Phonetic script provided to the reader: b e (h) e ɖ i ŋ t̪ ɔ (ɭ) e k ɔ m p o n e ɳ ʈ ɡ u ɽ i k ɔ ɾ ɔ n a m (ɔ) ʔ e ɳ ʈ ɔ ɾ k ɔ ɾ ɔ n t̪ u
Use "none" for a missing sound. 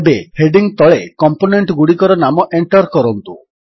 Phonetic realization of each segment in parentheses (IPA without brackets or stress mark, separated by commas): h, ɭ, ɔ